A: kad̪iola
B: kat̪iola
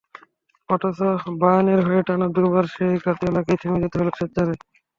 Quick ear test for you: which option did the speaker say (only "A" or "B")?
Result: B